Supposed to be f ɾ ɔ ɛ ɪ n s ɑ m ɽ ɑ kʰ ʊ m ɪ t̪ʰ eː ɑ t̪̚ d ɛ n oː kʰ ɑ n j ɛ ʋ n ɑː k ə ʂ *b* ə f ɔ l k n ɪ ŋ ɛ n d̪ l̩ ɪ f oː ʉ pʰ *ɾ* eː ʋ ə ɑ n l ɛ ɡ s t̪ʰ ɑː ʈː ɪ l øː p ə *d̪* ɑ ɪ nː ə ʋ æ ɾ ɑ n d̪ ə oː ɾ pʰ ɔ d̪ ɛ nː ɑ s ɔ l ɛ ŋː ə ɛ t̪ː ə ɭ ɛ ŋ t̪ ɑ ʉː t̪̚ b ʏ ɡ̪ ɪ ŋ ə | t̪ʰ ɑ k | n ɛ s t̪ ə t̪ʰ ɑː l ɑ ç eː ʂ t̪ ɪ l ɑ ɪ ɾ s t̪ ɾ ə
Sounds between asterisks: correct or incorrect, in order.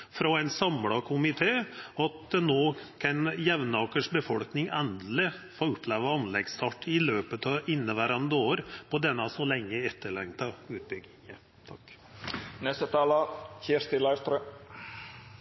correct, incorrect: l, incorrect: t̪

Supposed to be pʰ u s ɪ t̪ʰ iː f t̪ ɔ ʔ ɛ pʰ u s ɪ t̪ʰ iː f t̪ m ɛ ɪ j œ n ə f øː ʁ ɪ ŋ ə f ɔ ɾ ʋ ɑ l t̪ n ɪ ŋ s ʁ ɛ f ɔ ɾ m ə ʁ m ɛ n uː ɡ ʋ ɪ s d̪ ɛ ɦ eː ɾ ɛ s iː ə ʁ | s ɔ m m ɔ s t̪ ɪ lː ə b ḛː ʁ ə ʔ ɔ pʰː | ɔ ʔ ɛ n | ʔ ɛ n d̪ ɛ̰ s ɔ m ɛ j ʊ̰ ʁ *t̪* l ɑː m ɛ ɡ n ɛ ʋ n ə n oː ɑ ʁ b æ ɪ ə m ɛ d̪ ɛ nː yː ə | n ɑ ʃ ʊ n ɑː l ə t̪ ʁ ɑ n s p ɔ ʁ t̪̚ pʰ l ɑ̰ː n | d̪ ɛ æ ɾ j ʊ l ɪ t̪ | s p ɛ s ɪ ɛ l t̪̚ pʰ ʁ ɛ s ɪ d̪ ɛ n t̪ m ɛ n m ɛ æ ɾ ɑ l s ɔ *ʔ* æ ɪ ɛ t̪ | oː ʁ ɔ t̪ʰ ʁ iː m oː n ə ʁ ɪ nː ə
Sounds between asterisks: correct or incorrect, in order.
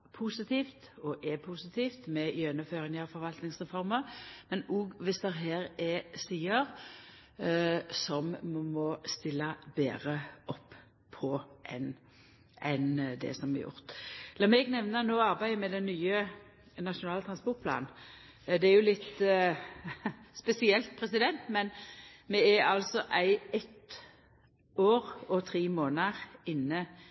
correct, correct

